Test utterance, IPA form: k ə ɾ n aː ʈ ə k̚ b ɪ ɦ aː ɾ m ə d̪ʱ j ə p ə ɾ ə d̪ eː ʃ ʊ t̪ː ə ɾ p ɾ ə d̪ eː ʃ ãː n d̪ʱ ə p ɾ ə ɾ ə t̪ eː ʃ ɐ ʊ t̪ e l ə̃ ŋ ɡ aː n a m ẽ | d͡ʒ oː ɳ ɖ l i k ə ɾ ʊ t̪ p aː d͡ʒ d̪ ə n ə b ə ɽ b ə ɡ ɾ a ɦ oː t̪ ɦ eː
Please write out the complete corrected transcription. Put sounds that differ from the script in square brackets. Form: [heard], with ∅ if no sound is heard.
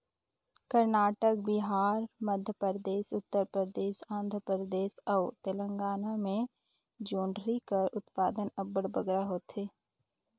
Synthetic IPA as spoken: k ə ɾ n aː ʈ ə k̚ b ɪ ɦ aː ɾ m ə d̪ʱ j ə p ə ɾ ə d̪ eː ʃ ʊ t̪ː ə ɾ p ɾ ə d̪ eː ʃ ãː n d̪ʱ ə p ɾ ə ɾ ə [d̪] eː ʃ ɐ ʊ t̪ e l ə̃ ŋ ɡ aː n a m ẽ | d͡ʒ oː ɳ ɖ [ɾ] i k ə ɾ ʊ t̪ p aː [∅] d̪ ə n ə b ə ɽ b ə ɡ ɾ a ɦ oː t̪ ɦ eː